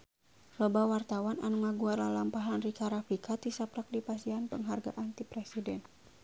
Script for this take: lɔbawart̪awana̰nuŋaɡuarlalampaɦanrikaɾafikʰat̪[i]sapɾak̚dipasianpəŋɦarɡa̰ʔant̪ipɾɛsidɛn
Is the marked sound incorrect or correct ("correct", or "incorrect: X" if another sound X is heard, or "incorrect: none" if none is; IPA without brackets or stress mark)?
correct